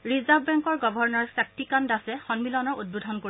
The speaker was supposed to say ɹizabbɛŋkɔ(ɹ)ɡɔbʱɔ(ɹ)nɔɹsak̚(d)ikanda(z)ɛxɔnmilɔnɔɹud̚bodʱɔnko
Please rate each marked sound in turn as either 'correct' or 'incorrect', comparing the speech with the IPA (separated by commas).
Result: correct, correct, incorrect, incorrect